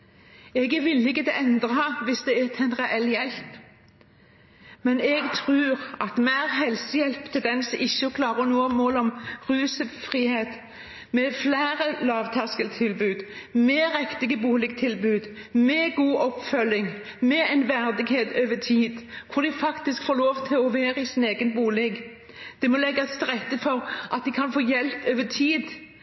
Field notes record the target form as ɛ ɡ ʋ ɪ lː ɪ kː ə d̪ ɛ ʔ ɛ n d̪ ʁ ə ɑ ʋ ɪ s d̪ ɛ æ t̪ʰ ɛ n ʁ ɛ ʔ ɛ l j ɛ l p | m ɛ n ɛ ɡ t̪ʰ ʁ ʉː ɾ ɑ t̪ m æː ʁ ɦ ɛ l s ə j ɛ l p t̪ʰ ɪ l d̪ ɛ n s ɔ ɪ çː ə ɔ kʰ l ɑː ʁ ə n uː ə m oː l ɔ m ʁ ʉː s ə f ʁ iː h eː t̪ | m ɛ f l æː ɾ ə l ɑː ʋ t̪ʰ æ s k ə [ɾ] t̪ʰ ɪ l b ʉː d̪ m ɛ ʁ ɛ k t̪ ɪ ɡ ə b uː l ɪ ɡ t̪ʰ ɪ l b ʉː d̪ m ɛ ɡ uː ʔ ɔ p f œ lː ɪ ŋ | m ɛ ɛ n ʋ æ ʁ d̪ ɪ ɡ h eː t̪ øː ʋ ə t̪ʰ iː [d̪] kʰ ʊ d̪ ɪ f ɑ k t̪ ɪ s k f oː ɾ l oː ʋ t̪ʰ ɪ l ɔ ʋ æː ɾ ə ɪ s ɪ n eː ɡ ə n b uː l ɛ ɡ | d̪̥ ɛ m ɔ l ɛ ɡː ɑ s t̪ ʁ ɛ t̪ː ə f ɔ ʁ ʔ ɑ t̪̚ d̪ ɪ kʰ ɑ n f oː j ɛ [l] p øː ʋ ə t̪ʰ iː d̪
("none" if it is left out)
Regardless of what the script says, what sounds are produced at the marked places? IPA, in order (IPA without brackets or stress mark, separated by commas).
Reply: l, d̪, l